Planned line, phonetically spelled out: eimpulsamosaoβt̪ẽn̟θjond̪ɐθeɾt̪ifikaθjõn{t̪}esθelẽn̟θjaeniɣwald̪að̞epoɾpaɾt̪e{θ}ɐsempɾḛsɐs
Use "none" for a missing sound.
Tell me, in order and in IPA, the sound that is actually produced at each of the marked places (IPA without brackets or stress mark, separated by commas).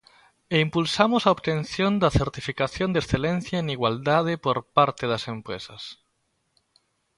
d̪, ð